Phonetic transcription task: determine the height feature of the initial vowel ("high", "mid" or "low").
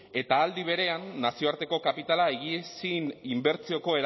mid